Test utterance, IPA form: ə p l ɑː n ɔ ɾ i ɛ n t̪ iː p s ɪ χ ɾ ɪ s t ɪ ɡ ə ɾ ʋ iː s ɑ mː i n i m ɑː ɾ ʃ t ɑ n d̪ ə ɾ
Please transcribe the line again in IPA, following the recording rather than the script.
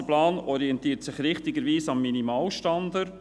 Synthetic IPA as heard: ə p l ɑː n ɔ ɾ i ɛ n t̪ iː t s ɪ χ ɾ ɪ χ t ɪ ɡ ə ɾ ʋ iː s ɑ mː i n i m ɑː l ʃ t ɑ n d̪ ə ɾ